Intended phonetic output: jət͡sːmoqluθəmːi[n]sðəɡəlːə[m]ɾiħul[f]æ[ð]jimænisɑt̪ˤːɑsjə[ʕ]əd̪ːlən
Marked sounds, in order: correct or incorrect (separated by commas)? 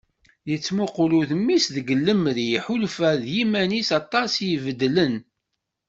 incorrect, correct, correct, correct, incorrect